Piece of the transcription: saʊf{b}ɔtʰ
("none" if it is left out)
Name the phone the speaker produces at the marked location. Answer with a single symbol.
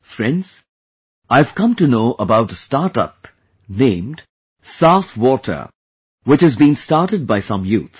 w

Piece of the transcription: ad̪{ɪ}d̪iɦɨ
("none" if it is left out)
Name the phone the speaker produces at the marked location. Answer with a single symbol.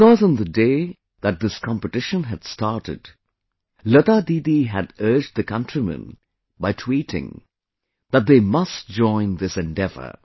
i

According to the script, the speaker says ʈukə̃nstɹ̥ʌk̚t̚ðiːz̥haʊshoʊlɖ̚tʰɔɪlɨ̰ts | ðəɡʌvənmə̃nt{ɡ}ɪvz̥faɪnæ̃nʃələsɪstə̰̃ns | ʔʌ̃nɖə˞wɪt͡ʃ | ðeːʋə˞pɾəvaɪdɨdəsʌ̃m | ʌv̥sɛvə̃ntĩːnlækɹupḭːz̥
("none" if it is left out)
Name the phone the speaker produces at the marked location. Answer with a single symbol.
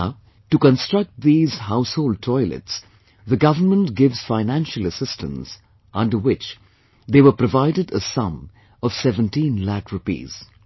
ɡ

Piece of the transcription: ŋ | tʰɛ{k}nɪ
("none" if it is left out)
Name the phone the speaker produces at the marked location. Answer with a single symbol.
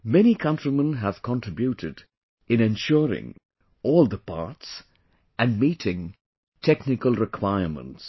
k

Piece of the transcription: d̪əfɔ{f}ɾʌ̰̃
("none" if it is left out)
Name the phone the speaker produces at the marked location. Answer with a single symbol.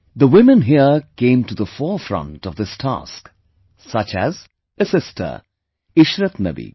f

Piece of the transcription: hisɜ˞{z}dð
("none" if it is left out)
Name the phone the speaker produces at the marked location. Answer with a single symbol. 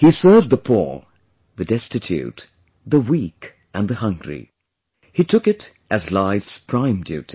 v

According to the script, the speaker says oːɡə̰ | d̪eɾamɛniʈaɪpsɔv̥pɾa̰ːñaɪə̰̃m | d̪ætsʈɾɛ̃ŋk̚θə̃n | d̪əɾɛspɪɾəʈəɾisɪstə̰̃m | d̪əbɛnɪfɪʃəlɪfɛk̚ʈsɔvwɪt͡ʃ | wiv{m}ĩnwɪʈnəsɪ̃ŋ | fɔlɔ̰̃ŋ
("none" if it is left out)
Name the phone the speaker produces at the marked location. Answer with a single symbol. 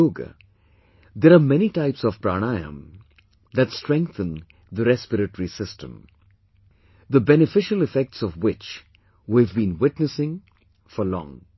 b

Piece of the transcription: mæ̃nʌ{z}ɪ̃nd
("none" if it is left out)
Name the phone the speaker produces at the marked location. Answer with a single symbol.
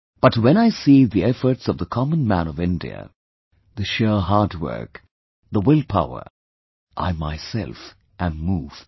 v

